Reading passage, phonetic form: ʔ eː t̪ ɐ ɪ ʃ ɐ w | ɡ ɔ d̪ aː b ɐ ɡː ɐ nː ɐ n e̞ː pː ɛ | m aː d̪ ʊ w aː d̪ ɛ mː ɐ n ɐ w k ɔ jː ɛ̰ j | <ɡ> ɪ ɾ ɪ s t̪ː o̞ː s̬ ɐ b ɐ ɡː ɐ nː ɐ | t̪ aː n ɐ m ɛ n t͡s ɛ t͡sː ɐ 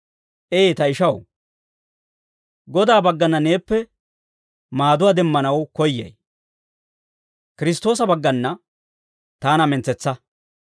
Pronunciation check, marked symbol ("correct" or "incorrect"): incorrect